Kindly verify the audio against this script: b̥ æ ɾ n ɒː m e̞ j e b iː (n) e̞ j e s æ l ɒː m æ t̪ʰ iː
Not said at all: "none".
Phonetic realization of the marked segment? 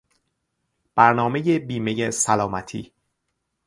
m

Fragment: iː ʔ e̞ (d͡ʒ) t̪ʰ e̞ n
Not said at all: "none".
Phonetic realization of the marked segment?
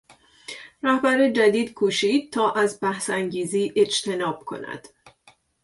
d͡ʒ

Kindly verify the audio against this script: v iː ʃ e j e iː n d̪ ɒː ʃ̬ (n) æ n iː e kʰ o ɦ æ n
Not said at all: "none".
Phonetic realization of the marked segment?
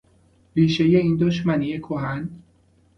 m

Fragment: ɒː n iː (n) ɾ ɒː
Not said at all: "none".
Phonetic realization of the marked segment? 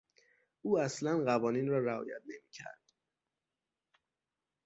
n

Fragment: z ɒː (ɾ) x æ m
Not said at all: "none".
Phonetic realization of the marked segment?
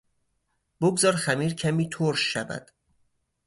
ɾ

